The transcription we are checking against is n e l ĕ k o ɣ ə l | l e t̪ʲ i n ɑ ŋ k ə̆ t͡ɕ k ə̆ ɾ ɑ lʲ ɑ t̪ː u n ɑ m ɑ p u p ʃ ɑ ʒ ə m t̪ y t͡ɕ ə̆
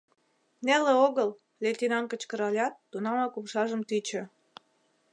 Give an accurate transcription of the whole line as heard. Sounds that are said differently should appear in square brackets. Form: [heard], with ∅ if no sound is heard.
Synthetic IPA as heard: n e l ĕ [∅] o ɣ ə l | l e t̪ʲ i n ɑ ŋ k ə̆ t͡ɕ k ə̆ ɾ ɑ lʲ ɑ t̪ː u n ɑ m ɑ [k] u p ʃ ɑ ʒ ə m t̪ y t͡ɕ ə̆